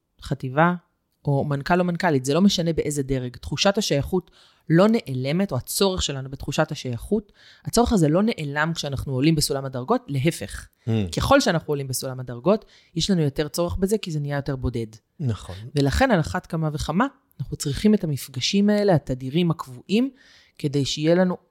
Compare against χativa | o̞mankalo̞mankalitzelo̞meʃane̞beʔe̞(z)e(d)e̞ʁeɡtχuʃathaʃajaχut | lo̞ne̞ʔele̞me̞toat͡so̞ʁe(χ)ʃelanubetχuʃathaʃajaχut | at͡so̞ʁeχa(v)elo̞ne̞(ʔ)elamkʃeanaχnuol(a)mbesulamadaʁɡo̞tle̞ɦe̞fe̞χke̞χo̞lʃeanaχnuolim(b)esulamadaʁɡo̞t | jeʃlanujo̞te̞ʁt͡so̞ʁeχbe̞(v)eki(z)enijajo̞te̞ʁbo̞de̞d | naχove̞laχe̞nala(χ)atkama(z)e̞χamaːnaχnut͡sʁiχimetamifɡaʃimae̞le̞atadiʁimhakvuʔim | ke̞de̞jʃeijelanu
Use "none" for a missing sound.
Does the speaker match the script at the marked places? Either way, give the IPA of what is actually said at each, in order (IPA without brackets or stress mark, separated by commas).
z, d, χ, z, ʔ, i, b, z, z, χ, v